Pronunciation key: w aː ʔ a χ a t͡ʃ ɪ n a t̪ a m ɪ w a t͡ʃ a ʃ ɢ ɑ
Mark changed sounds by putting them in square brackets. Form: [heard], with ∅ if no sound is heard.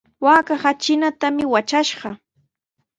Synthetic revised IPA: w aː [k] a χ a t͡ʃ ɪ n a t̪ a m ɪ w a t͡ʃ a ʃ ɢ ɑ

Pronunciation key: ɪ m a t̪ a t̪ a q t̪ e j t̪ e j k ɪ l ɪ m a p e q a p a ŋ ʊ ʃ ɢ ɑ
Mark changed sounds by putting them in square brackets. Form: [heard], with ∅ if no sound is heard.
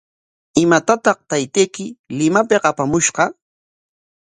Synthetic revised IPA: ɪ m a t̪ a t̪ [ɑ] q t̪ [a] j t̪ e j k ɪ l ɪ m a p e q a p a [m] ʊ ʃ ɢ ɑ

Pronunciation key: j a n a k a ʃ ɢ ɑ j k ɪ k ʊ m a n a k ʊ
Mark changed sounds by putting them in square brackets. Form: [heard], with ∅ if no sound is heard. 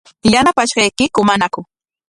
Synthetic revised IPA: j a n a [p] a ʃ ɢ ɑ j k ɪ k ʊ m a n a k ʊ

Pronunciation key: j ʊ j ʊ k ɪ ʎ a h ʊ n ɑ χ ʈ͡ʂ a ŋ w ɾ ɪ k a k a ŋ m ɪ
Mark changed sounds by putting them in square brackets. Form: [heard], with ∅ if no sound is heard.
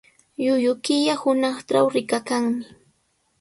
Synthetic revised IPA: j ʊ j ʊ k ɪ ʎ a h ʊ n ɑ χ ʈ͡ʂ a [∅] w ɾ ɪ k a k a ŋ m ɪ

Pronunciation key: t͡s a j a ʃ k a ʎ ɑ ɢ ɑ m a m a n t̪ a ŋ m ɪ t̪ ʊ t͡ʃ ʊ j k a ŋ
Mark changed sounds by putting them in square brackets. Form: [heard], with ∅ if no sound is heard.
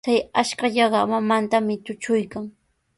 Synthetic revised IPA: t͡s a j a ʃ k a ʎ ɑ ɢ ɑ m a m a n t̪ a [∅] m ɪ t̪ ʊ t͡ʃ ʊ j k a ŋ

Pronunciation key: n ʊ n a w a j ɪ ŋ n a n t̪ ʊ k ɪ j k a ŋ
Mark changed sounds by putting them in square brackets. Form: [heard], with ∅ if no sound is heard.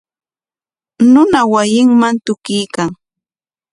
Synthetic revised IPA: n ʊ n a w a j ɪ ŋ [m] a n t̪ ʊ k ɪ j k a ŋ

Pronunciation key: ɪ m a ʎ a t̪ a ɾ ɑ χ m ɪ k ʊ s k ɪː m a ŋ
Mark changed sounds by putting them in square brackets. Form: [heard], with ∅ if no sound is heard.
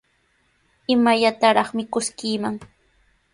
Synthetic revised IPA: ɪ m a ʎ a t̪ a ɾ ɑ χ m ɪ k ʊ s k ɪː m a ŋ

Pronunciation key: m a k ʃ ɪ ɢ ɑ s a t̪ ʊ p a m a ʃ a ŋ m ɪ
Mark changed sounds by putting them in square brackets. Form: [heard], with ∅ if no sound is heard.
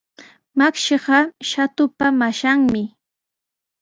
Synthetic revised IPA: m a k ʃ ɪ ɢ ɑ [ʃ] a t̪ ʊ p a m a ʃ a ŋ m ɪ

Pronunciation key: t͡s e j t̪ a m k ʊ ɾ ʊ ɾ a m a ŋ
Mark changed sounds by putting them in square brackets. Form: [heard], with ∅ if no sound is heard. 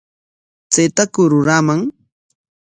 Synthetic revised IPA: t͡s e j t̪ a [∅] k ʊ ɾ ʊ ɾ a m a ŋ

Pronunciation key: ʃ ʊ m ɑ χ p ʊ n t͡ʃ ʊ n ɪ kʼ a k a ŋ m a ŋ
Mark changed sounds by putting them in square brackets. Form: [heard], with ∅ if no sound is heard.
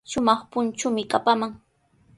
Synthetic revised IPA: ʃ ʊ m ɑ χ p ʊ n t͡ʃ ʊ [m] ɪ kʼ a [p] a [∅] m a ŋ

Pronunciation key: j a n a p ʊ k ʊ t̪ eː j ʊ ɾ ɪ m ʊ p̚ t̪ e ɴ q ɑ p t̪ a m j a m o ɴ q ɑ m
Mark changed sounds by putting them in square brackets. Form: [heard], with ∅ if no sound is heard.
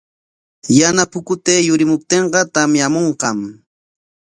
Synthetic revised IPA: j a n a p ʊ k ʊ t̪ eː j ʊ ɾ ɪ m ʊ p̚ t̪ e ɴ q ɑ [∅] t̪ a m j a m o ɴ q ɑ m

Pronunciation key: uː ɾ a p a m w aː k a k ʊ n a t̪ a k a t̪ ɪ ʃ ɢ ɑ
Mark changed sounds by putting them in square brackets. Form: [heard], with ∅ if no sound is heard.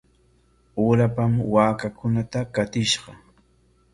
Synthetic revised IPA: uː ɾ a p a m w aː k a k ʊ n a t̪ a k a t̪ ɪ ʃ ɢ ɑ

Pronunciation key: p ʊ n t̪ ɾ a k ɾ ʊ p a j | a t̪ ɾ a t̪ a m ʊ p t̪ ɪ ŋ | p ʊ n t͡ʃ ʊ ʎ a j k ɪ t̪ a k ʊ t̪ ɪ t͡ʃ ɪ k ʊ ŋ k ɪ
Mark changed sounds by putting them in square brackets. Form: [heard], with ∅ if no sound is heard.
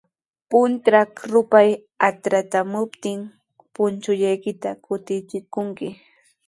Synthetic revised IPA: p ʊ n t̪ ɾ a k ɾ ʊ p a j | a t̪ ɾ a t̪ a m ʊ p t̪ ɪ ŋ | p ʊ n t͡ʃ ʊ ʎ a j k ɪ t̪ a k ʊ t̪ ɪ t͡ʃ ɪ k ʊ ŋ k ɪ

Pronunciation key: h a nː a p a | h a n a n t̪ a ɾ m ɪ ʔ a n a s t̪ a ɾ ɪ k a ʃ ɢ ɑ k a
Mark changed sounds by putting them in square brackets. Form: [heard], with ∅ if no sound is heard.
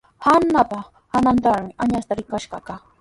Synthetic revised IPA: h a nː a p a | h a n a n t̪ a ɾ m ɪ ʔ a [ɲ] a s t̪ a ɾ ɪ k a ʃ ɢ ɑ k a

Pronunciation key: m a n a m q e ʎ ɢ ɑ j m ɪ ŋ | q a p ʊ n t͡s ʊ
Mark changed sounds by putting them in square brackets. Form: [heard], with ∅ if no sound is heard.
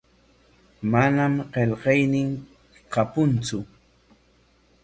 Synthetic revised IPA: m a n a m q e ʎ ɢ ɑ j [n] ɪ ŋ | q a p ʊ n t͡s ʊ

